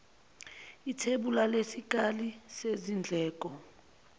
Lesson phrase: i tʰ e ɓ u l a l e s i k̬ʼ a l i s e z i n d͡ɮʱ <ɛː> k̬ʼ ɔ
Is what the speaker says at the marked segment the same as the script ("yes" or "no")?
yes